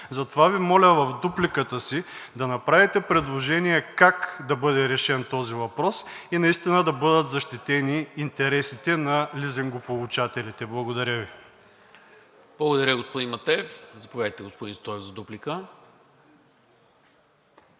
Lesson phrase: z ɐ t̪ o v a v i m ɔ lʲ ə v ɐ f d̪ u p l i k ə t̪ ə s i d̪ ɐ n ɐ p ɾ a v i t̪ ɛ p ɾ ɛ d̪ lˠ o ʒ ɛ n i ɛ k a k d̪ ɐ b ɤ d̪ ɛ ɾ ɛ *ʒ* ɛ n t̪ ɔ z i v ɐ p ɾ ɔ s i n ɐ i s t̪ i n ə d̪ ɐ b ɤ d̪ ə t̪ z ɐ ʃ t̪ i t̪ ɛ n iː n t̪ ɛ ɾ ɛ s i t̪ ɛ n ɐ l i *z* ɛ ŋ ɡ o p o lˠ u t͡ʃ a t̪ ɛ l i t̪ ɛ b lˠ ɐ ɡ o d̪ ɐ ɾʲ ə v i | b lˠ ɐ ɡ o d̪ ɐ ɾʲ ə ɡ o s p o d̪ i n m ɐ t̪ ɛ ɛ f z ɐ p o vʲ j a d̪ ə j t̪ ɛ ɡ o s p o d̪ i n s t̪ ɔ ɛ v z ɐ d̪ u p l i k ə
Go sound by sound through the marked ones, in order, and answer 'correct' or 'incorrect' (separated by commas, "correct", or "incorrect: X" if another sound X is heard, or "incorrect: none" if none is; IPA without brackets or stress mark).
incorrect: ʃ, correct